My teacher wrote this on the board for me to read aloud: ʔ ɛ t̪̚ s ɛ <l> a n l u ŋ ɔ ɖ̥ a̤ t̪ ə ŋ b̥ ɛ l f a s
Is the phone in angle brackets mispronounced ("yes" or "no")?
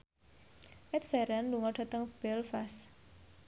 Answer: yes